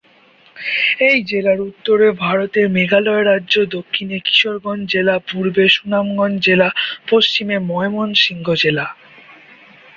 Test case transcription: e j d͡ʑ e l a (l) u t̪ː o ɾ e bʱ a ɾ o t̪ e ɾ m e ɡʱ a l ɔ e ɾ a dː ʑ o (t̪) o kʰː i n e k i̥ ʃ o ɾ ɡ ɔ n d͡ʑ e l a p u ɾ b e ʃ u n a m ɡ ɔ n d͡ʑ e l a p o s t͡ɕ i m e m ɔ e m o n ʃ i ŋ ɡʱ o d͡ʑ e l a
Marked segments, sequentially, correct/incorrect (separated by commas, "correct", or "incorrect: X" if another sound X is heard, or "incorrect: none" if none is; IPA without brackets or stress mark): incorrect: ɾ, incorrect: d̪